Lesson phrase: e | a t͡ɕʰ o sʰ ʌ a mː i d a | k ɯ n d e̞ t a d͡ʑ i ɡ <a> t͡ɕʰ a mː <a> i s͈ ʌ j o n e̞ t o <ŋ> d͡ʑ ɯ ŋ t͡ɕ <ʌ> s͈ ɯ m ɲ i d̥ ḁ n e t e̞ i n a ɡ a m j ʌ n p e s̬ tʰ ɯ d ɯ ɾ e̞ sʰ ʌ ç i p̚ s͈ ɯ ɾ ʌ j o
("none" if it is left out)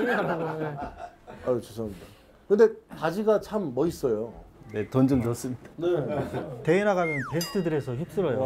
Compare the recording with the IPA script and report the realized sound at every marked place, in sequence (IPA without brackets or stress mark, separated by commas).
a, ʌ, n, ʌ